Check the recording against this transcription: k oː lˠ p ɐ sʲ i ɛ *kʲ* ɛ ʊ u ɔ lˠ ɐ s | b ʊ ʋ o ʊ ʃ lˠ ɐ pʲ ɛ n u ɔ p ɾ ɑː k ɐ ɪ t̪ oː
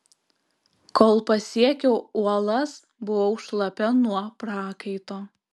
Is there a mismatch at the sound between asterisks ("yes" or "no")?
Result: no